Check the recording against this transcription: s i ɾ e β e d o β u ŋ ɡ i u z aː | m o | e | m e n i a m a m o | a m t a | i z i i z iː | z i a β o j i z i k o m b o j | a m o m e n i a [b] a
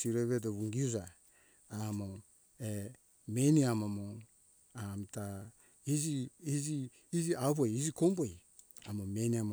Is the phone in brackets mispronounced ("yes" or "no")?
yes